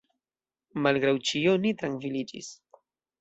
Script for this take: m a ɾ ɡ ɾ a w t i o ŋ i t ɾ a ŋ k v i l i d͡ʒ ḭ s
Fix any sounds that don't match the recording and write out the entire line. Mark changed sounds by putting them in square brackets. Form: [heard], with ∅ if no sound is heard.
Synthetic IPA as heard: m a [l] ɡ ɾ a w [t͡ʃ] i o [n] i t ɾ a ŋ k v i l i d͡ʒ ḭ s